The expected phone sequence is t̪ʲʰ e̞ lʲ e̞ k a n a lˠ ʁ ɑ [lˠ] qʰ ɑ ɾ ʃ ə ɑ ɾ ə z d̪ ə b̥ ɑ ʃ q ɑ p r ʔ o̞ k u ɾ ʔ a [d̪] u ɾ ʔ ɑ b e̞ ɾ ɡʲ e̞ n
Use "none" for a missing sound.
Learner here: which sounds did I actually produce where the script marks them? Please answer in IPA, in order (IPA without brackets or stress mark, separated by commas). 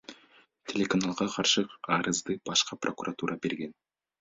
none, t̪